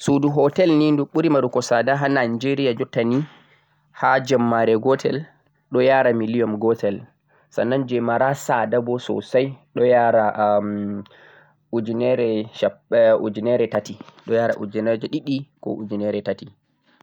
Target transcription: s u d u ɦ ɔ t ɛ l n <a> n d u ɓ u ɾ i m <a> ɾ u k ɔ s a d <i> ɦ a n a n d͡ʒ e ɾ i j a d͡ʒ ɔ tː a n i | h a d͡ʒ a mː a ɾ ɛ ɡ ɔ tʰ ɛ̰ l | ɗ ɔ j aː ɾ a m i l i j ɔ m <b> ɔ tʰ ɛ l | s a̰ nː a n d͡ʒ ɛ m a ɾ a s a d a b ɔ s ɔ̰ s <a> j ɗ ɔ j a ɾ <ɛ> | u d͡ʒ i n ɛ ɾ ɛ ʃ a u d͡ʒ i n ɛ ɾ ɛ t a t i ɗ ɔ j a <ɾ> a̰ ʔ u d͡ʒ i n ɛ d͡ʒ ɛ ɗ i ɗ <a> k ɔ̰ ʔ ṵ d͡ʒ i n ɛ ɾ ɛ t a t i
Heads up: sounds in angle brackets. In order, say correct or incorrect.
incorrect, correct, incorrect, incorrect, correct, incorrect, correct, incorrect

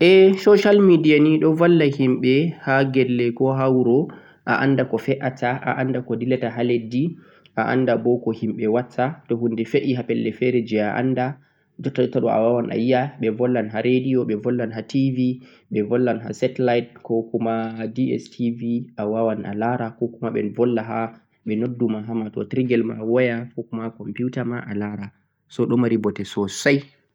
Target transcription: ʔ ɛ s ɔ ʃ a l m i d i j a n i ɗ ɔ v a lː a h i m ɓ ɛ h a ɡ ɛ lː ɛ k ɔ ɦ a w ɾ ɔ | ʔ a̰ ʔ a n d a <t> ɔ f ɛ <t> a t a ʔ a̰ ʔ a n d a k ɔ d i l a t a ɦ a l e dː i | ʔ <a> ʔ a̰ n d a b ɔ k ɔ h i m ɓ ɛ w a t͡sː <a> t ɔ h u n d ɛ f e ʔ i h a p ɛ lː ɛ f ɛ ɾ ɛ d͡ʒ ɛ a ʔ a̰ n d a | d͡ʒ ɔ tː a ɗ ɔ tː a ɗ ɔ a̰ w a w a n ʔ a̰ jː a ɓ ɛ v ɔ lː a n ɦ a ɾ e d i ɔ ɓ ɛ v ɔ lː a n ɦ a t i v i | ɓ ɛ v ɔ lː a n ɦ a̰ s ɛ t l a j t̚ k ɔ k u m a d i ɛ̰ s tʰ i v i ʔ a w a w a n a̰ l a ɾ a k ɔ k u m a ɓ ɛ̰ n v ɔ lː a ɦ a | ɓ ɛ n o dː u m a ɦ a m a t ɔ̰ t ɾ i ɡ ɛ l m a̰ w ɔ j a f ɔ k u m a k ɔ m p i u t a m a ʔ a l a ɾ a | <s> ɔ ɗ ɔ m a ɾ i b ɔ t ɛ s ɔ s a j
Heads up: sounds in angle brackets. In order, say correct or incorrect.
incorrect, incorrect, correct, correct, correct

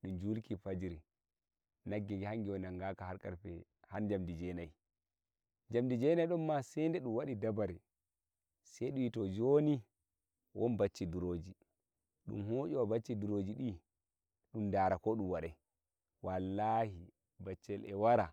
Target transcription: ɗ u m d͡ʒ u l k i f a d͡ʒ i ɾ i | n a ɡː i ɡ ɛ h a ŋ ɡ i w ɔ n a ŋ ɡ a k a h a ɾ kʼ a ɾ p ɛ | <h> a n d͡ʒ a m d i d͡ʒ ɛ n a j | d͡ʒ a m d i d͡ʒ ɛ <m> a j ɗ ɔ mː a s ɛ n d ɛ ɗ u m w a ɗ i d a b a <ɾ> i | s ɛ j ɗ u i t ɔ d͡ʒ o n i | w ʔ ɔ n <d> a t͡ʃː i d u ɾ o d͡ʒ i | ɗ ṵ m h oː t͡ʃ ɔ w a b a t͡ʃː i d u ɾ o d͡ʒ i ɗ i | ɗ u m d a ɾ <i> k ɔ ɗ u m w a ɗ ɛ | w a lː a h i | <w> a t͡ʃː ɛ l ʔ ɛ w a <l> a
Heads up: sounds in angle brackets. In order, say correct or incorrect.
correct, incorrect, correct, incorrect, incorrect, incorrect, incorrect

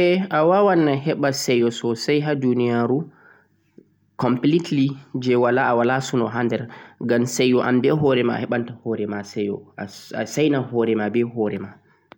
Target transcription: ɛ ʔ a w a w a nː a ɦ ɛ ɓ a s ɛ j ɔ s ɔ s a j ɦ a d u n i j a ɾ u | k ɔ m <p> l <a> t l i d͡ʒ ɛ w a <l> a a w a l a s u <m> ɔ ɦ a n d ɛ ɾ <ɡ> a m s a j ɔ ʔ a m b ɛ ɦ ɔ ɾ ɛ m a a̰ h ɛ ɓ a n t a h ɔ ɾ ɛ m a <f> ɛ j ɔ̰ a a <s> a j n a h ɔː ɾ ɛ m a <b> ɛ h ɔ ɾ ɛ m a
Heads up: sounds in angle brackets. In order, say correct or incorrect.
correct, incorrect, correct, incorrect, correct, incorrect, correct, correct

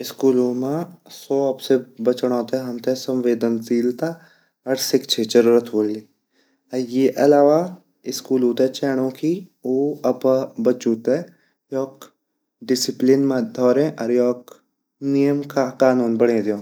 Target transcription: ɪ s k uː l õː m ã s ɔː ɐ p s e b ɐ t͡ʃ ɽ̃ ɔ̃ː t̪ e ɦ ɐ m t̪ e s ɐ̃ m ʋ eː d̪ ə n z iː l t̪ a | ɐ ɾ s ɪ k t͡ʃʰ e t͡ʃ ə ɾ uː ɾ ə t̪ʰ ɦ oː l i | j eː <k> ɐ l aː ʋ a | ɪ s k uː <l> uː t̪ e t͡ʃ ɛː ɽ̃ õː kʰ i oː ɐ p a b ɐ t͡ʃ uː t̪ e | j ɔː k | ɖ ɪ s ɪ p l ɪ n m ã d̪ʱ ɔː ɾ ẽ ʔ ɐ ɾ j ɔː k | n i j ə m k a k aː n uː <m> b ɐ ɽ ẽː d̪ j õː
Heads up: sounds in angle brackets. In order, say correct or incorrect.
incorrect, correct, incorrect

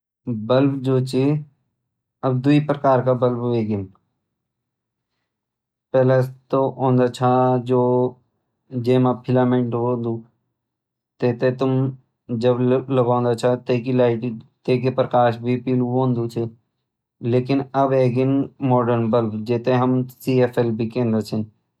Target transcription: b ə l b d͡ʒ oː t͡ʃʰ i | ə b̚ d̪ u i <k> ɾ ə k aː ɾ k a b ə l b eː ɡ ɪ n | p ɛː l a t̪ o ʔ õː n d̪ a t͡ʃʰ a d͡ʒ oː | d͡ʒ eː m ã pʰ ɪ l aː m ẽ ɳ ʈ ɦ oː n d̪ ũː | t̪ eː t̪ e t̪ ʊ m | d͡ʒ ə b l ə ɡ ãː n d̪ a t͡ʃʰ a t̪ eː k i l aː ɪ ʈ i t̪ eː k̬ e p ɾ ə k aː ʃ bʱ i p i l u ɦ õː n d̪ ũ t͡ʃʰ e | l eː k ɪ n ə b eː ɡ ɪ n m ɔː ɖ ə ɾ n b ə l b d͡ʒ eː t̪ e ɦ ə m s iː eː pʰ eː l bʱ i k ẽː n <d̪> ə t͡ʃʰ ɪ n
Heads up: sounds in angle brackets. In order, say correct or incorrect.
incorrect, correct

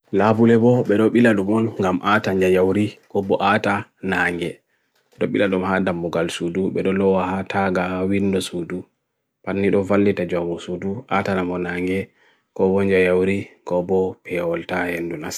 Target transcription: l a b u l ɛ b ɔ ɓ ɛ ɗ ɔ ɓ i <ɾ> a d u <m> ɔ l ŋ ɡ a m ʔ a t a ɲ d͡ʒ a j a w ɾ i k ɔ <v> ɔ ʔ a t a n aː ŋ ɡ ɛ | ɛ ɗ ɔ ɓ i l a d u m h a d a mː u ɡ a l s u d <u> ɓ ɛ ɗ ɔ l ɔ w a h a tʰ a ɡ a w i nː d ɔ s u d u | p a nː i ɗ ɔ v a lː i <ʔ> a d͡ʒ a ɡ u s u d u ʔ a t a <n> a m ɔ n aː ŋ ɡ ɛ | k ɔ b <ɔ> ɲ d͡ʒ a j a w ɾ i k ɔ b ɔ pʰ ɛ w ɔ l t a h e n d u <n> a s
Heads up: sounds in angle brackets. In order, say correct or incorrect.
incorrect, correct, incorrect, correct, incorrect, correct, correct, correct

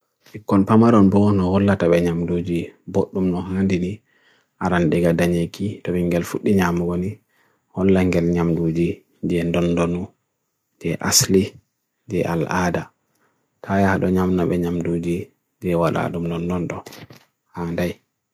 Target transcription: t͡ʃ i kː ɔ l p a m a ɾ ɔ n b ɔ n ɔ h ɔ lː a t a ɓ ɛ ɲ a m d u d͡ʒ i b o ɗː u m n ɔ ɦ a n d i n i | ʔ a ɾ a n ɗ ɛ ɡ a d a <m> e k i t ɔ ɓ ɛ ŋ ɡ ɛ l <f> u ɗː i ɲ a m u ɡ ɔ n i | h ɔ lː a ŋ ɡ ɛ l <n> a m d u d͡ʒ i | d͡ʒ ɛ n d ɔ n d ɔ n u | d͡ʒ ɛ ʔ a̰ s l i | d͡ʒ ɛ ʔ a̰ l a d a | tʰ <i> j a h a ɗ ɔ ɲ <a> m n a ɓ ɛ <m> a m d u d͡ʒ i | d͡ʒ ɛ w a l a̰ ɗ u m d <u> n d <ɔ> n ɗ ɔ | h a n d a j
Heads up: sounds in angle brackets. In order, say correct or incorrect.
incorrect, correct, incorrect, incorrect, correct, incorrect, incorrect, correct

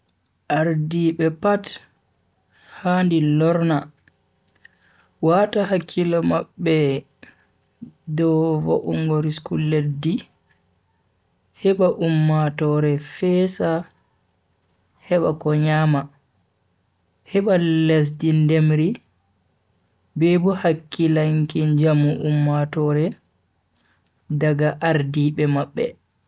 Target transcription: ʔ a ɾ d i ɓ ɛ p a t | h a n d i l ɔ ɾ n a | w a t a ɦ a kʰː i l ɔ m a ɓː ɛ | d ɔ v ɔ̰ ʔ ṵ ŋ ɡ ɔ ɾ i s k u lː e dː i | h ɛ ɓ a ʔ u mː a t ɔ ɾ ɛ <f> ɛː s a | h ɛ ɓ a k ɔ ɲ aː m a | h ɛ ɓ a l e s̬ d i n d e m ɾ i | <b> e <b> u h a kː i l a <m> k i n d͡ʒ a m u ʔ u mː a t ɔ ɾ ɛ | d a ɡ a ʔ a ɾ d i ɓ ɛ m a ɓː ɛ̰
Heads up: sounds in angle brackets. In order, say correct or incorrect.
correct, correct, correct, incorrect

